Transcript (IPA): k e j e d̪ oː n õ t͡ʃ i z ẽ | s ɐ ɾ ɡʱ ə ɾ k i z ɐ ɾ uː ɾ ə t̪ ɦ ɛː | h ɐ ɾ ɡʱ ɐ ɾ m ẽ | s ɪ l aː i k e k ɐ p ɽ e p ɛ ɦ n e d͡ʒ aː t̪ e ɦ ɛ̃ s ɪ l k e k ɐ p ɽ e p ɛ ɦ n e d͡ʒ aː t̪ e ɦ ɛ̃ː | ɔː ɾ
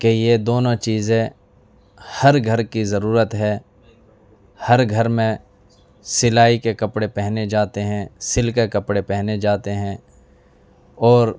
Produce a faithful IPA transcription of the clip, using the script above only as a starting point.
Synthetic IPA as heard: k e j e d̪ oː n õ t͡ʃ iː z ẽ | h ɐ ɾ ɡʱ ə ɾ k i z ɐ ɾ uː ɾ ə t̪ ɦ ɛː | h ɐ ɾ ɡʱ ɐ ɾ m ẽ | s ɪ l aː i k e k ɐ p ɽ e p ɛ ɦ n e d͡ʒ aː t̪ e ɦ ɛ̃ s ɪ l k e k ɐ p ɽ e p ɛ ɦ n e d͡ʒ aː t̪ e ɦ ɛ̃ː | ɔː ɾ